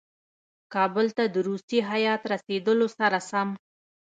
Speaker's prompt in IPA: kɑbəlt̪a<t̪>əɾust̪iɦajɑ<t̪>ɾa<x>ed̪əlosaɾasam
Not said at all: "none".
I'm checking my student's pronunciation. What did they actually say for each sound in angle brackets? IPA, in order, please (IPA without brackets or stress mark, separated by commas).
d̪, t̪, s